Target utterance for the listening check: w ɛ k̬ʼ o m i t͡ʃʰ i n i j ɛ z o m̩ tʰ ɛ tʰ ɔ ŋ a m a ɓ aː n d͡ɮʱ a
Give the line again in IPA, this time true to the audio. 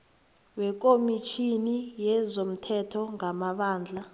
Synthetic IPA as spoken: w ɛ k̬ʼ o m i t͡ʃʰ i n i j ɛ z o m̩ tʰ ɛ tʰ ɔ ŋ a m a ɓ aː n d͡ɮʱ a